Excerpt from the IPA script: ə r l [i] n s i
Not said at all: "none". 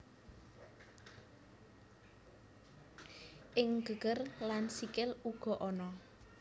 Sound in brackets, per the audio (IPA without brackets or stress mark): a